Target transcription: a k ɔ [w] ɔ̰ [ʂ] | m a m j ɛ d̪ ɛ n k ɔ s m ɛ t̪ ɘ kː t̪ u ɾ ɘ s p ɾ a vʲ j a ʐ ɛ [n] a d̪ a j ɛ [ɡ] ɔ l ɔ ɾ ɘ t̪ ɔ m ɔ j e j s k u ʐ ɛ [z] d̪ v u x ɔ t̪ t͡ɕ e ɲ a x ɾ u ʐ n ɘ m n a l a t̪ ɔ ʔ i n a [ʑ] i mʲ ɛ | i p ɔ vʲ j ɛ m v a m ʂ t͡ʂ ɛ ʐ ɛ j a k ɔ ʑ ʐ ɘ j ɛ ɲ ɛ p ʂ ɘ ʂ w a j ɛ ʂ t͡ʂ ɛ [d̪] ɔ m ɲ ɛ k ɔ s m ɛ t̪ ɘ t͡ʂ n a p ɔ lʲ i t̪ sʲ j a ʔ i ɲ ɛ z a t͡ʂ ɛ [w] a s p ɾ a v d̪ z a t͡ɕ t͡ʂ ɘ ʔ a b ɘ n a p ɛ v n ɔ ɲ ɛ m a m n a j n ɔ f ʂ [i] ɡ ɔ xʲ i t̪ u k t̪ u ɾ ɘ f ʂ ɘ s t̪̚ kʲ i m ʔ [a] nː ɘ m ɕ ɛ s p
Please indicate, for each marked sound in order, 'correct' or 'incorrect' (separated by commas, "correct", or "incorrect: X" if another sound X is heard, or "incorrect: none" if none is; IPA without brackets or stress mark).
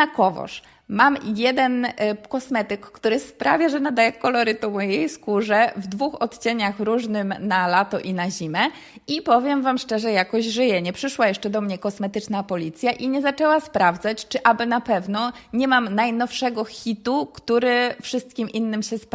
incorrect: v, correct, correct, incorrect: k, incorrect: v, correct, correct, correct, incorrect: ɛ, incorrect: i